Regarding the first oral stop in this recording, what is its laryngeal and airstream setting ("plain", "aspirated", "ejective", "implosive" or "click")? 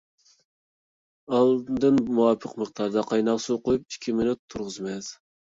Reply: plain